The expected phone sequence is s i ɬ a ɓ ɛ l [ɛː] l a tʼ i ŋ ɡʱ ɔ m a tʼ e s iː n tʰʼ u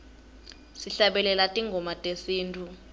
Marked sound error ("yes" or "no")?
yes